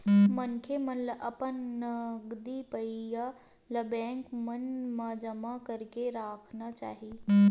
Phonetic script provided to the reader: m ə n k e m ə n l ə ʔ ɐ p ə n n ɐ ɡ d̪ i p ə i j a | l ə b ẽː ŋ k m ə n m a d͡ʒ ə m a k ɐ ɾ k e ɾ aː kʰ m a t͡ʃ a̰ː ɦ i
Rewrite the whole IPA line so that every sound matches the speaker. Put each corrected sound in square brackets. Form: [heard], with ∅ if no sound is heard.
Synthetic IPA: m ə n [kʰ] e m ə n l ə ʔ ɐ p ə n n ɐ ɡ d̪ i p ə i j a | l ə b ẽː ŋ k m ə n m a d͡ʒ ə m a k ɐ ɾ k e ɾ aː kʰ [n] a t͡ʃ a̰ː ɦ i